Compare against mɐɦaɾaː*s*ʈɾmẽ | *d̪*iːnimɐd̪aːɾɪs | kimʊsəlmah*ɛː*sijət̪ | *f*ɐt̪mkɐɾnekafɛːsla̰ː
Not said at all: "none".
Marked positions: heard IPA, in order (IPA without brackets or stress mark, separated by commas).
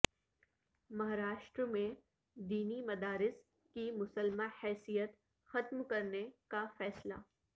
ʃ, d̪, ɛː, x